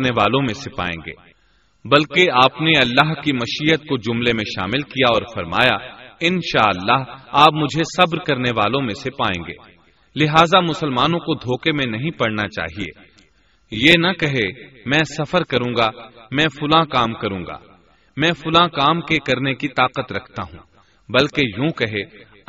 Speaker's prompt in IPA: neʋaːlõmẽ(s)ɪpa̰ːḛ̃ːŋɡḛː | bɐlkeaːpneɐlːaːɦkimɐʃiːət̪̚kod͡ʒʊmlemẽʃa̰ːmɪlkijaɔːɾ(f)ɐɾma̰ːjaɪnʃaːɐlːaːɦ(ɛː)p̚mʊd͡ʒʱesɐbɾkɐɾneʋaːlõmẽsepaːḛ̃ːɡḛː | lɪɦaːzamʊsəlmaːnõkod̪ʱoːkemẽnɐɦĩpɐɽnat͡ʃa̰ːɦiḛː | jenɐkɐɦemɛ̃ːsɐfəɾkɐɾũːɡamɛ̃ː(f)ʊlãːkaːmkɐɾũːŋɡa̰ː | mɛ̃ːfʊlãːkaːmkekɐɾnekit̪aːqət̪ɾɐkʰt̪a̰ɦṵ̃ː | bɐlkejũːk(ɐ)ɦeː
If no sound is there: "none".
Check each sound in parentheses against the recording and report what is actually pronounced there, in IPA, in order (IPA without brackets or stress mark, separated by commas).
s, f, aː, f, ɐ